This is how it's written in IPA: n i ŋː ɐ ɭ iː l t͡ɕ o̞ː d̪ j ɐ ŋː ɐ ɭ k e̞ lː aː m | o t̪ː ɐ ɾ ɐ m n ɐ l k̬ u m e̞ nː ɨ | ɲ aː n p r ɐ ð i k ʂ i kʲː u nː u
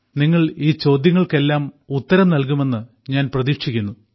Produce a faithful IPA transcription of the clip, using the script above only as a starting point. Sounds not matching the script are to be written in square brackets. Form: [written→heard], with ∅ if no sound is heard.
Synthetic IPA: n i ŋː ɐ ɭ iː [l→∅] t͡ɕ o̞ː d̪ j ɐ ŋː ɐ ɭ k e̞ lː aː m | [o→u] t̪ː ɐ ɾ ɐ m n ɐ l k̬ u m e̞ nː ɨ | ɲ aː n p r ɐ ð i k ʂ i kʲː u nː u